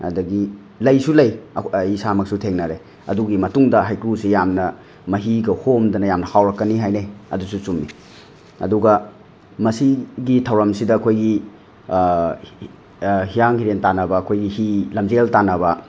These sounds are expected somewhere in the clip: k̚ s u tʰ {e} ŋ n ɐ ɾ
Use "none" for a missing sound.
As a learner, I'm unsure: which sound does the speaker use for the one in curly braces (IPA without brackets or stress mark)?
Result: e